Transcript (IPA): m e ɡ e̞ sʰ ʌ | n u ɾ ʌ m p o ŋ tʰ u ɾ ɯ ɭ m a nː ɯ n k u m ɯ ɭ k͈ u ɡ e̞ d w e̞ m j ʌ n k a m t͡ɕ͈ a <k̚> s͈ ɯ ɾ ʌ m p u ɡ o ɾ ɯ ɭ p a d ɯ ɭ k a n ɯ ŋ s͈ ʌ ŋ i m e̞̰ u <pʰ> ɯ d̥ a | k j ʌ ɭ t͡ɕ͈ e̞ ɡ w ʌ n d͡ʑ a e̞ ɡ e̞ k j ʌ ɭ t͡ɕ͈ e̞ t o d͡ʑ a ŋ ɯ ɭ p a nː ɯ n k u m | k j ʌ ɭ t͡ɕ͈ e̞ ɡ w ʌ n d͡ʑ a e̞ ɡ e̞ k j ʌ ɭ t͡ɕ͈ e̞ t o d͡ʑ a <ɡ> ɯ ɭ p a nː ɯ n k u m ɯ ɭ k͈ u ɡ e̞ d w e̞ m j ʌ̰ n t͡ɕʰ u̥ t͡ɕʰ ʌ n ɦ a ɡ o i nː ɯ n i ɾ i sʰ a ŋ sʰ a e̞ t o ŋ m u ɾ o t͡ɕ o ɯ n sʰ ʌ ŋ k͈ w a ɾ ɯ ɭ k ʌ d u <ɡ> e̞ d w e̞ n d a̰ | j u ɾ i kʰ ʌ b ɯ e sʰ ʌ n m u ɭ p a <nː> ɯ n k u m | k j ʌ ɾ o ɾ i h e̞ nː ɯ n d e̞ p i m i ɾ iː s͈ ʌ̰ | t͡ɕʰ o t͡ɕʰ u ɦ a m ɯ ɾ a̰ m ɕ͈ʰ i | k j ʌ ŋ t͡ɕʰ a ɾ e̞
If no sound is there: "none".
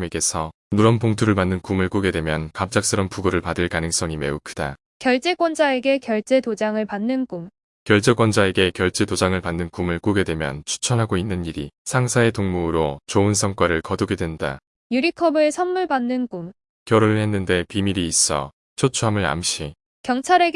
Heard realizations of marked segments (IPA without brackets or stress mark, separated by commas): k̚, kʰ, ŋ, ɡ, nː